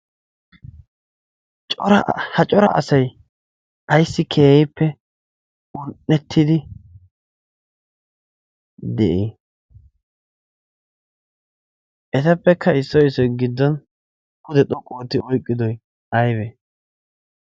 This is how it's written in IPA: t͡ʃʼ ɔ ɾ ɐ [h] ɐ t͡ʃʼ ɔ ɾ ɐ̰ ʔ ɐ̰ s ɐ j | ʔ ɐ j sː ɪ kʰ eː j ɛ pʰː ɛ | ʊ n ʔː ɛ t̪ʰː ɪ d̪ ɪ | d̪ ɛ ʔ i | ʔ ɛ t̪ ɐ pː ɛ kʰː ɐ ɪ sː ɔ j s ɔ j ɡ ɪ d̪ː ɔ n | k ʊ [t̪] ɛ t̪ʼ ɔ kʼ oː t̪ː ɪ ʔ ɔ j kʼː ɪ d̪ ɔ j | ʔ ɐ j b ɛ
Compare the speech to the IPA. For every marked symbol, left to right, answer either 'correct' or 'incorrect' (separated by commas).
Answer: correct, incorrect